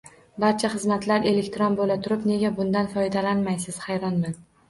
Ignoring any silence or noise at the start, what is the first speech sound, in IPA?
b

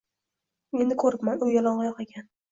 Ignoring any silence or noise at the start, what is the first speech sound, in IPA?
e̞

